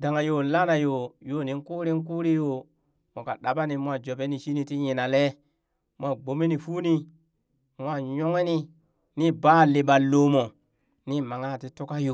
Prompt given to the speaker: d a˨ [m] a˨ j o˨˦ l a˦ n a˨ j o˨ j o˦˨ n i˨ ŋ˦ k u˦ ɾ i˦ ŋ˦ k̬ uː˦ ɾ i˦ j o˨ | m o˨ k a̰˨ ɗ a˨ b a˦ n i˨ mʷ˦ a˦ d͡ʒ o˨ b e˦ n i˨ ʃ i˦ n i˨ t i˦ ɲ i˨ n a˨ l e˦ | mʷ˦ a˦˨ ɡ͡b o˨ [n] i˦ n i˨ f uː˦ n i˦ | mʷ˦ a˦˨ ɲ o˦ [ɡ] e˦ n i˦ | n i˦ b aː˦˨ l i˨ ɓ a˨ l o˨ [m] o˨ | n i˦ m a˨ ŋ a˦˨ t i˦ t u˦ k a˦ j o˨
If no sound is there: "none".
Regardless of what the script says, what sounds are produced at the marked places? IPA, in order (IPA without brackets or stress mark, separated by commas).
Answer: ŋ, m, ŋ, m